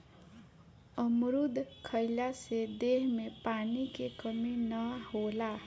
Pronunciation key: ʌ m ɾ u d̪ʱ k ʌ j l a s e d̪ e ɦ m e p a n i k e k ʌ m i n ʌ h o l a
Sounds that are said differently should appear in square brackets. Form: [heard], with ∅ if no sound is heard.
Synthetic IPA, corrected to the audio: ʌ m ɾ u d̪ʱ [kʰ] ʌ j l a s e d̪ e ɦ m e p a n i k e k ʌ m i n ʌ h o l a